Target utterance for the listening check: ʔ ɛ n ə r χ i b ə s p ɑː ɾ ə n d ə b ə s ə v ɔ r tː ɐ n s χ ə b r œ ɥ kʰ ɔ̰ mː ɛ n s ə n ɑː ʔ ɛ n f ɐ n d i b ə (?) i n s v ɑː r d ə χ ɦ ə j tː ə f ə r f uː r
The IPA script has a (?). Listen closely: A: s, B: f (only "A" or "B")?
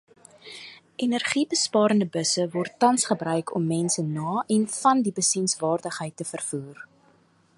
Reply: A